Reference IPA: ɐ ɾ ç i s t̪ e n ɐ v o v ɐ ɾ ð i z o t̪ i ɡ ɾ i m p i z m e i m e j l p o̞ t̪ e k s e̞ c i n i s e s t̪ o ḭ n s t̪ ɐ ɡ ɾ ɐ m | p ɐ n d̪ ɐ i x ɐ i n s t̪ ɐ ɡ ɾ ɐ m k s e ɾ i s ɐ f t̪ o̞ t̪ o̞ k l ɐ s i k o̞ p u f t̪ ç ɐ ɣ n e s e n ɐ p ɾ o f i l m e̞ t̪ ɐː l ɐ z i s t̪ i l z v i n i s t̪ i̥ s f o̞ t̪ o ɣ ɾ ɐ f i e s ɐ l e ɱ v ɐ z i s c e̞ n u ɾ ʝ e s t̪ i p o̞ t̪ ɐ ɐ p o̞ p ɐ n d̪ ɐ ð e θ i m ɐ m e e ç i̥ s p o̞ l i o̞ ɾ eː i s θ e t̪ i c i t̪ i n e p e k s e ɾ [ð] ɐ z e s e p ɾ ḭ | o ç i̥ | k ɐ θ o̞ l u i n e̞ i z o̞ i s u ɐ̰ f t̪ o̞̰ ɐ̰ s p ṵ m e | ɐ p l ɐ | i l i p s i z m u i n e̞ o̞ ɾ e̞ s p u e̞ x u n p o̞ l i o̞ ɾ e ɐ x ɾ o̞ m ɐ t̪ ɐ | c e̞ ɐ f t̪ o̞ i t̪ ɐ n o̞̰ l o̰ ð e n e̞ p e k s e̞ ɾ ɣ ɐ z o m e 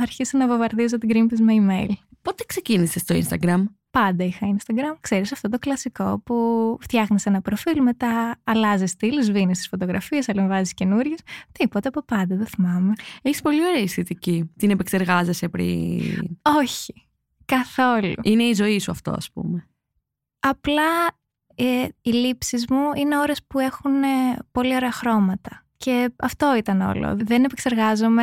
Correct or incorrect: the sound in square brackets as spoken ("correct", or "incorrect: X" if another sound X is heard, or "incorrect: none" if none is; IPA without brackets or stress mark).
incorrect: ɣ